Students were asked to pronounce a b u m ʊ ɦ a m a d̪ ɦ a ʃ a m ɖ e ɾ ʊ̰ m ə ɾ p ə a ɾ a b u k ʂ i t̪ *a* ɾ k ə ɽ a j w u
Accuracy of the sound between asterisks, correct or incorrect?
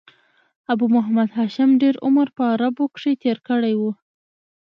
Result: incorrect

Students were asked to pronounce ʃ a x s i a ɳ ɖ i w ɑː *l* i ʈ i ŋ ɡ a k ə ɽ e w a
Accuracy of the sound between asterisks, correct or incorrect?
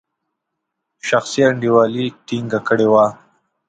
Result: correct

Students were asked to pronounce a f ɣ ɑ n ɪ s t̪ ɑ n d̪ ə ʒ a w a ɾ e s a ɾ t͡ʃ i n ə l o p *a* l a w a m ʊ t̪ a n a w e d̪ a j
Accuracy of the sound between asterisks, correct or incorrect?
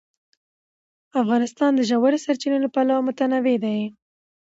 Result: correct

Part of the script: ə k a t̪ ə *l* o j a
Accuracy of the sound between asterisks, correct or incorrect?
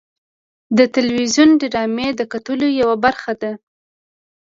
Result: correct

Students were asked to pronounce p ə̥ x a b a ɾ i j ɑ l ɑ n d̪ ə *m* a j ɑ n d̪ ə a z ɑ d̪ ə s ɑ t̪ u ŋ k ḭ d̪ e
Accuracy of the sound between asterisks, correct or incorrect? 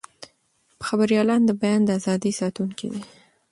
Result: incorrect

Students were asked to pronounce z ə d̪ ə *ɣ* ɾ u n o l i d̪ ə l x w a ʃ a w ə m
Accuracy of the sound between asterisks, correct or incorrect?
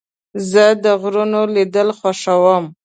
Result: correct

